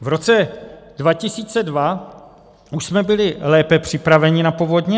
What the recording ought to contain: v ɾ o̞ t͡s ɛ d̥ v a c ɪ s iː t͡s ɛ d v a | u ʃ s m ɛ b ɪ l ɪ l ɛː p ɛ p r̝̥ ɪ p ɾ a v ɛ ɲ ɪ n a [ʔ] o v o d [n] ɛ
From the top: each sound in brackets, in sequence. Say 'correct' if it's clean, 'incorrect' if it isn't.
incorrect, incorrect

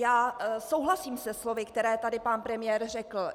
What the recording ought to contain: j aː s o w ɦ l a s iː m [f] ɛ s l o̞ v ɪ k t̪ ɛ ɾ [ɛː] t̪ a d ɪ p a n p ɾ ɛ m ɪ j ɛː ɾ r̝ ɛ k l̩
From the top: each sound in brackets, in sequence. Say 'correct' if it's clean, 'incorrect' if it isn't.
incorrect, correct

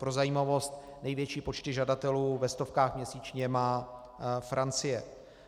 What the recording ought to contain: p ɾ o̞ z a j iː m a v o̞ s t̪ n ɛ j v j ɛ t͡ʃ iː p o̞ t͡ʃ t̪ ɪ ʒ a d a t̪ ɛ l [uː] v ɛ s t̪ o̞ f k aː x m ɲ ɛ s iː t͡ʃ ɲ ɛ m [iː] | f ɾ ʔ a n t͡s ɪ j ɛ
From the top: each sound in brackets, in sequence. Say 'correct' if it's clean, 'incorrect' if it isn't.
correct, incorrect

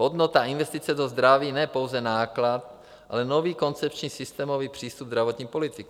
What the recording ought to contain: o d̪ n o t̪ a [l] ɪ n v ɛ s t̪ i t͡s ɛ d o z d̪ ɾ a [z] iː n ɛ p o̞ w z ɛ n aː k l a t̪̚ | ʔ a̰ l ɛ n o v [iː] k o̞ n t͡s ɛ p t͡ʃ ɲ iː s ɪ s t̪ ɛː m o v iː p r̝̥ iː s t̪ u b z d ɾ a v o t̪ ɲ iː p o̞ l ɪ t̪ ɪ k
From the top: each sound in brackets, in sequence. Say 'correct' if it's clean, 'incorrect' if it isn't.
incorrect, incorrect, correct

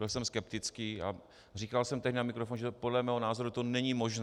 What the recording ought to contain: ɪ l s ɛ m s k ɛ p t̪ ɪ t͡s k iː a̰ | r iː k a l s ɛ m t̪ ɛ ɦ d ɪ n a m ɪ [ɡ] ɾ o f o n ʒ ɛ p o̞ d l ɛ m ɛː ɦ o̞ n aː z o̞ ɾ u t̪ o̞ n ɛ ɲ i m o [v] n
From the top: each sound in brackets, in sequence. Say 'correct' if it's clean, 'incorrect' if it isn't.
incorrect, incorrect

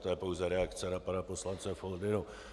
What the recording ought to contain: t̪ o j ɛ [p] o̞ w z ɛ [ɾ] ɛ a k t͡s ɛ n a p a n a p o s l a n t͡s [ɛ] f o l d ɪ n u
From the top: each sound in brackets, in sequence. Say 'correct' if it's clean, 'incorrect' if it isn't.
correct, correct, correct

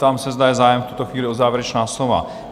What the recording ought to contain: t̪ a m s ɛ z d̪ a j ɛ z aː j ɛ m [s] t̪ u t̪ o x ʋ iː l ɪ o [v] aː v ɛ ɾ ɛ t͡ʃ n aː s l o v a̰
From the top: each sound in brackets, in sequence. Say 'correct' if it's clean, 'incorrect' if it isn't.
incorrect, incorrect

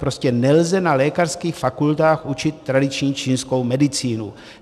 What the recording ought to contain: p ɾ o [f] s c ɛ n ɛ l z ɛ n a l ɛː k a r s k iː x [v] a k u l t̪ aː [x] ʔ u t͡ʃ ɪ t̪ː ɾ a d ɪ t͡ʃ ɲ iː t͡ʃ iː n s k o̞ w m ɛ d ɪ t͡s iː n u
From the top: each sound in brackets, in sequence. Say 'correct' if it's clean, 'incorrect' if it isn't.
incorrect, incorrect, correct

